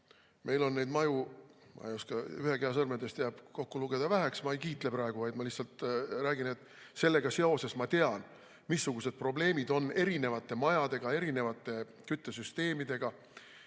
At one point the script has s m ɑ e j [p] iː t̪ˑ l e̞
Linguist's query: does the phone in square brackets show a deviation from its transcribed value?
yes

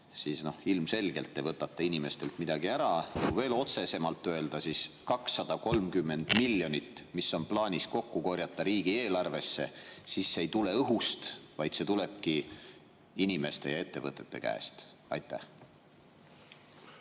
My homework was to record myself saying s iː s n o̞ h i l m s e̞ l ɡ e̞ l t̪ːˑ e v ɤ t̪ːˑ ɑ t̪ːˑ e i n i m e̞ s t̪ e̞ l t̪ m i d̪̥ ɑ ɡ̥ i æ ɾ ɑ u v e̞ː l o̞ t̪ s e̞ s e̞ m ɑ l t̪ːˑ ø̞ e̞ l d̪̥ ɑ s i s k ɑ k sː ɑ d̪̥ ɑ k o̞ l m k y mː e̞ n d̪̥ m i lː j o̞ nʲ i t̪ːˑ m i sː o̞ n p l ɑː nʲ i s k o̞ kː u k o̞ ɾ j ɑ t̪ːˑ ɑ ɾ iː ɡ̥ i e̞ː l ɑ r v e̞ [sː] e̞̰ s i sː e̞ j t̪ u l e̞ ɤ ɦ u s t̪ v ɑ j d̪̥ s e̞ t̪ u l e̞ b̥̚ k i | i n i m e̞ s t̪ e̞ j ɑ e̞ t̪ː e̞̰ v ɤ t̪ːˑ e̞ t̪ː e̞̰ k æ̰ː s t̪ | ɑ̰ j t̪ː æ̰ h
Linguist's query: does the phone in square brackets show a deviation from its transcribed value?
no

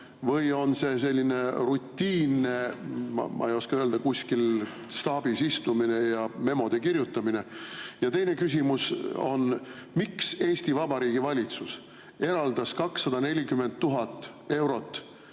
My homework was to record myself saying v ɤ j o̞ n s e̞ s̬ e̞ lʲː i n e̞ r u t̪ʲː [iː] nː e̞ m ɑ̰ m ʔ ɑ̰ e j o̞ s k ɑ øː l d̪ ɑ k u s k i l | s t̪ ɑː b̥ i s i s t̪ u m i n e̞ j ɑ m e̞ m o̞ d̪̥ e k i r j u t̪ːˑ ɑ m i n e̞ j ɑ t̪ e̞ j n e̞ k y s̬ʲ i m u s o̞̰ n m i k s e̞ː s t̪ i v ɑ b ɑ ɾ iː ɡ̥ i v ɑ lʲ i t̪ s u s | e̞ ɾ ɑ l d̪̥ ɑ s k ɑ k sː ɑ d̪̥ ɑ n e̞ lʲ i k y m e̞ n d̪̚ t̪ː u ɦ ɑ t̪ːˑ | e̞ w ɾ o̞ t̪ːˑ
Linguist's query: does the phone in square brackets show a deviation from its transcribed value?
no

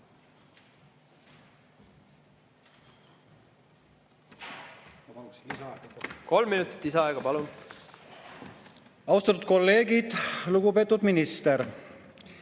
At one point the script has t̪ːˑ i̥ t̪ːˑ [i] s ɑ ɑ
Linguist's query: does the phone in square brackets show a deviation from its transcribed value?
no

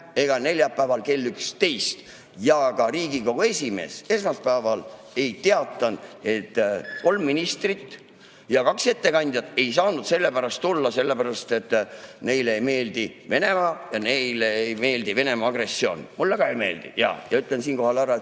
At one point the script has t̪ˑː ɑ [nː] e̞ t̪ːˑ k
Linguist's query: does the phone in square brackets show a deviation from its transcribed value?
yes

